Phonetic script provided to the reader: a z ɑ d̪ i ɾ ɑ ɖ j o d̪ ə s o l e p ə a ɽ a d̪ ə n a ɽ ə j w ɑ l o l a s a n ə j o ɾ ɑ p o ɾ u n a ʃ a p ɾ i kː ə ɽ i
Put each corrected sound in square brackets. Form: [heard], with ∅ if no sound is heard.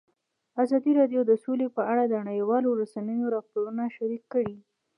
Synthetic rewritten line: a z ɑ d̪ i ɾ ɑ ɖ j o d̪ ə s o l e p ə a ɽ a d̪ ə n a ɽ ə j w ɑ l o [ɾ] a s a n ə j o ɾ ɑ p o ɾ u n a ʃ a [∅] ɾ i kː ə ɽ i